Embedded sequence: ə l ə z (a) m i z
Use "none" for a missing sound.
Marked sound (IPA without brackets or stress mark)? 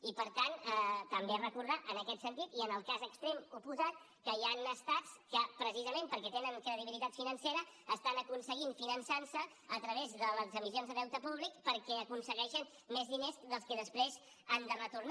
ə